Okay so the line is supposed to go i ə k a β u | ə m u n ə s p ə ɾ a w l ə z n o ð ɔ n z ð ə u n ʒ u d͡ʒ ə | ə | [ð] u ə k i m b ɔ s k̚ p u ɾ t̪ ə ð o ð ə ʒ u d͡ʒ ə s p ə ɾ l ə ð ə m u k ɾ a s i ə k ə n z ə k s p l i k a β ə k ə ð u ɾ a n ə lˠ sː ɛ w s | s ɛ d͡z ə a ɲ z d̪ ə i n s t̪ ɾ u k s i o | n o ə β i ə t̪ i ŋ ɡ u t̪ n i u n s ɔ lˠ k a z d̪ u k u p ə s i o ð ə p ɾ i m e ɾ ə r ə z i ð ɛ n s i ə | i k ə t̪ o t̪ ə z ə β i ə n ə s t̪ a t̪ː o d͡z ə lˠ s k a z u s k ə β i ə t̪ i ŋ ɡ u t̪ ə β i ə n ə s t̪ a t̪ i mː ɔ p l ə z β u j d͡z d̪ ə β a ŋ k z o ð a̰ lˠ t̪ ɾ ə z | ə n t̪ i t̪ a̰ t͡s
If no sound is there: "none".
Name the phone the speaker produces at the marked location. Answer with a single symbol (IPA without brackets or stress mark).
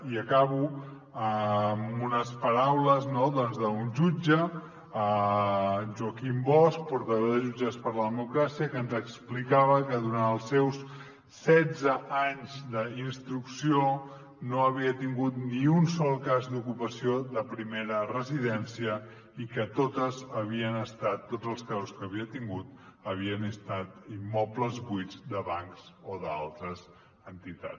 ʒ